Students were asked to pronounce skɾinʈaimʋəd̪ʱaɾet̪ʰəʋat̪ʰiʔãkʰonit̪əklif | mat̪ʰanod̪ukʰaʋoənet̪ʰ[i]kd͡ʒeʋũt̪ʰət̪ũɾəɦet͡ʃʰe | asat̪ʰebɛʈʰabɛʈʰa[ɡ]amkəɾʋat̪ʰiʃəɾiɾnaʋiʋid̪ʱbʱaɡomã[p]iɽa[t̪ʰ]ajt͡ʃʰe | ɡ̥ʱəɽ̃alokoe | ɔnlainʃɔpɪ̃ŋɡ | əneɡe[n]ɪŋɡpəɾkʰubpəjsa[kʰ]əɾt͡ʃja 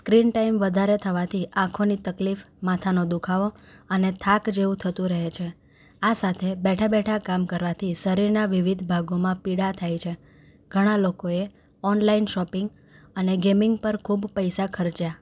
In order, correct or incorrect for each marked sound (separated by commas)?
incorrect, incorrect, correct, correct, incorrect, correct